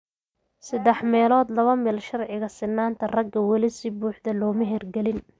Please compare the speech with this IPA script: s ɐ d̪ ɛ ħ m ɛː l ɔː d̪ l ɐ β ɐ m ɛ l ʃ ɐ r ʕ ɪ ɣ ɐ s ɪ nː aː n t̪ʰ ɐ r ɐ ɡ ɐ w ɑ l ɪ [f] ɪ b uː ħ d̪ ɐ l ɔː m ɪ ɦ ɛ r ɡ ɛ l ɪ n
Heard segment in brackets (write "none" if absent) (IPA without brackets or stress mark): s